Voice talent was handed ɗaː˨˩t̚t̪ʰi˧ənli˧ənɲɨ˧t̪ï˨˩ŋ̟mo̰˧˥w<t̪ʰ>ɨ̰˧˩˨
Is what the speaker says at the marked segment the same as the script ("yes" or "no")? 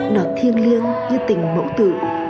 no